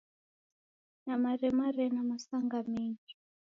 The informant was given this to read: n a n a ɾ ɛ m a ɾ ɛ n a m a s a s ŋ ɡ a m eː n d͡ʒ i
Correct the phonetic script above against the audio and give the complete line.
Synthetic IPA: n a m a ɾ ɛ m a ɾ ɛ n a m a s a ŋ ɡ a m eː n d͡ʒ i